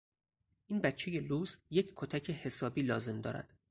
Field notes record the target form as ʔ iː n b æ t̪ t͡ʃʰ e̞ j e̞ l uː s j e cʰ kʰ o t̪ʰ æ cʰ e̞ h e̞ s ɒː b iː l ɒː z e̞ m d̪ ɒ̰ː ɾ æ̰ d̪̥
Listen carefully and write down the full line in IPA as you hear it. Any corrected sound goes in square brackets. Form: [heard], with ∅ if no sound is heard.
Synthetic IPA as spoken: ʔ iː n b æ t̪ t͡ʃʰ e̞ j e̞ l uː s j e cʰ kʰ o t̪ʰ æ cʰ e̞ h e̞ s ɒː b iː l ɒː z e̞ m d̪ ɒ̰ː ɾ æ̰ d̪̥